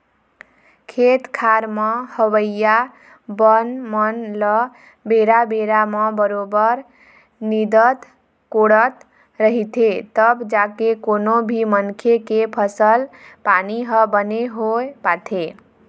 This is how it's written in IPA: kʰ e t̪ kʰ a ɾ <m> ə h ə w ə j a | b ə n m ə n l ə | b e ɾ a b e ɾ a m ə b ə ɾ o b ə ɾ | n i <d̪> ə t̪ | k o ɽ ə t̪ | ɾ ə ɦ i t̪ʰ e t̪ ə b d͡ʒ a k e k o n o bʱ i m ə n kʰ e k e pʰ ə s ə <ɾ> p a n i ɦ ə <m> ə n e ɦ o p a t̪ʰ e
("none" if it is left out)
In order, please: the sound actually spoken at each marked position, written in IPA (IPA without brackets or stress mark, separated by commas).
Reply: m, d̪, l, b